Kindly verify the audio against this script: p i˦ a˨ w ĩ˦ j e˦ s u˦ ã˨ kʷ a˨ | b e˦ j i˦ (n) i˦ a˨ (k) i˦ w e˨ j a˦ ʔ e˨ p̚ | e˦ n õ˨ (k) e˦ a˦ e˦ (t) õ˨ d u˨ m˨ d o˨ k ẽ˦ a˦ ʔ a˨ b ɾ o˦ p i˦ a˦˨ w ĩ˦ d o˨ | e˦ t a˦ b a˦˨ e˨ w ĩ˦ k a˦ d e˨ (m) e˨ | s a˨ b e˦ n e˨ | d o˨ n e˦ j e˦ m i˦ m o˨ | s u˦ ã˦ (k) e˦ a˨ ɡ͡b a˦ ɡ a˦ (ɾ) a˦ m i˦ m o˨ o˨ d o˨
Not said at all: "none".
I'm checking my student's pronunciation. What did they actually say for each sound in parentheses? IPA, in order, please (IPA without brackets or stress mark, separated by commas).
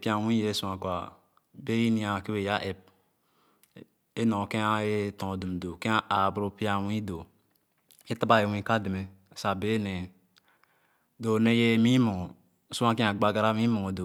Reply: n, k, k, t, m, k, ɾ